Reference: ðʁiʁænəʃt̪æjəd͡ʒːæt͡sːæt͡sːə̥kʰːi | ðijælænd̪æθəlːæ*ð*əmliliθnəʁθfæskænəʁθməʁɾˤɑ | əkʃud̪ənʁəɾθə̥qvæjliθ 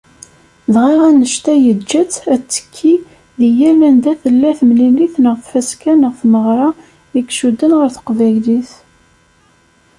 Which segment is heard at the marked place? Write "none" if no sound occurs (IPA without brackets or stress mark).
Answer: θ